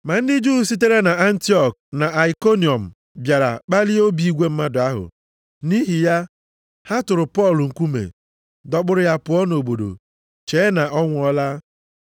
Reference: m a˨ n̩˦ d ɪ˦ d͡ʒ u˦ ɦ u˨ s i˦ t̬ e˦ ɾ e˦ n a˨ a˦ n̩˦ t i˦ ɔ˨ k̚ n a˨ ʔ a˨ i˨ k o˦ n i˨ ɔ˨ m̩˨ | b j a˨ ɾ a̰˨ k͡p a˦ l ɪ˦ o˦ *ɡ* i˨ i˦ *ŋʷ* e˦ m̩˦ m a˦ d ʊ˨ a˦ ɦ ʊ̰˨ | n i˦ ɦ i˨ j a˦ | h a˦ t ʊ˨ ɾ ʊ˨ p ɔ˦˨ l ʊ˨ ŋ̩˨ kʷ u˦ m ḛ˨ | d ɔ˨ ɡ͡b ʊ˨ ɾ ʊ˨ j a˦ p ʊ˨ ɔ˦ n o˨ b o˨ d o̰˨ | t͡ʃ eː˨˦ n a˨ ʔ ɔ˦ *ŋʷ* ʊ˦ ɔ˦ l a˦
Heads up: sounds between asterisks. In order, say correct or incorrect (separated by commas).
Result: incorrect, incorrect, correct